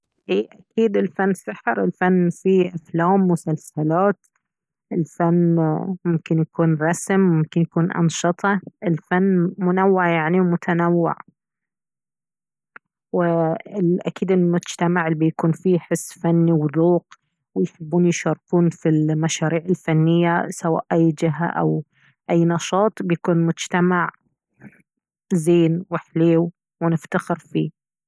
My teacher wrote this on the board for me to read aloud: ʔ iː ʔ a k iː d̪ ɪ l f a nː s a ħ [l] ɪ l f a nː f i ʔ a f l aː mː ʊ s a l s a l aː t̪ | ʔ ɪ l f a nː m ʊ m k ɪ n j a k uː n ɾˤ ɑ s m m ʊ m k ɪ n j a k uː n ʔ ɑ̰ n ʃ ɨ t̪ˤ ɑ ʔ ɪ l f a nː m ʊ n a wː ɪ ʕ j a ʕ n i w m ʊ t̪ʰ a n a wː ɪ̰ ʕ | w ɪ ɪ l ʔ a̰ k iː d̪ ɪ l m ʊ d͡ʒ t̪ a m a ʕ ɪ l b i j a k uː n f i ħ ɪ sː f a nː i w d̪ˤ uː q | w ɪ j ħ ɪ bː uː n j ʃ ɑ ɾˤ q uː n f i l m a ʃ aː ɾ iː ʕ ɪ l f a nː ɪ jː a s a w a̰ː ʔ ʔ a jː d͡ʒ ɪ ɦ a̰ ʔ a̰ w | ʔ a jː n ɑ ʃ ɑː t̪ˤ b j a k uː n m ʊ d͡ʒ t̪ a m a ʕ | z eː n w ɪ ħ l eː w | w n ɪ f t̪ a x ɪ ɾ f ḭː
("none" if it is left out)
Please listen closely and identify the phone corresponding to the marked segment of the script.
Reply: ɾ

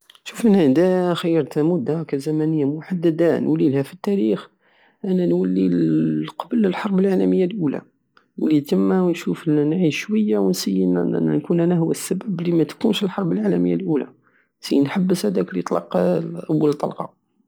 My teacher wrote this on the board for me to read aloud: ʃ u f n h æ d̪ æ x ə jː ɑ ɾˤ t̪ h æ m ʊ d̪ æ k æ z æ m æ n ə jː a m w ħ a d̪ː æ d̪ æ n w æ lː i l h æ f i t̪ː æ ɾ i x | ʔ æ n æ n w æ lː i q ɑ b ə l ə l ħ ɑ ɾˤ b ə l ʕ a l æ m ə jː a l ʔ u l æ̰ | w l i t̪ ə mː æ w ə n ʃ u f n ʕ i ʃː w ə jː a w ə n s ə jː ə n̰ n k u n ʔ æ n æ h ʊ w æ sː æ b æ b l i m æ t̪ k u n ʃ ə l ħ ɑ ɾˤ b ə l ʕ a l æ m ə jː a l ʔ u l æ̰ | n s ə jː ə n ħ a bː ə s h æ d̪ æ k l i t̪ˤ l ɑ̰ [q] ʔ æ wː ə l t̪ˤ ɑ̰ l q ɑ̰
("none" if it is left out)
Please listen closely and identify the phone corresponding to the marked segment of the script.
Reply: q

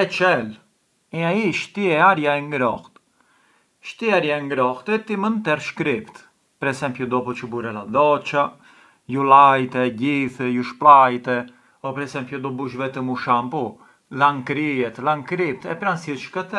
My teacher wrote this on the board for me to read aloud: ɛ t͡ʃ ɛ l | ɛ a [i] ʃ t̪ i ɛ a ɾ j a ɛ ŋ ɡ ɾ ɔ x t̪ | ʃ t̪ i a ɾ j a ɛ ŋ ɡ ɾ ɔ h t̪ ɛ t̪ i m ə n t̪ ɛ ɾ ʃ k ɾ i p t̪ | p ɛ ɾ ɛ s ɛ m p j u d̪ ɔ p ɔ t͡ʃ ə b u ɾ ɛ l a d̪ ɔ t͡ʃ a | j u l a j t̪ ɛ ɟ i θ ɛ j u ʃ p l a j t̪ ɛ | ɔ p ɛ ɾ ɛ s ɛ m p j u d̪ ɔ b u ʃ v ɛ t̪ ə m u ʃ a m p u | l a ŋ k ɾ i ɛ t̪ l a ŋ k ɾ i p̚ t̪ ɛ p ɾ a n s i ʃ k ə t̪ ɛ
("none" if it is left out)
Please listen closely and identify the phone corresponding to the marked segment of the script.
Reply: i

